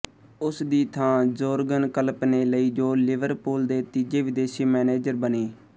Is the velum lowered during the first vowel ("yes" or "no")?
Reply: no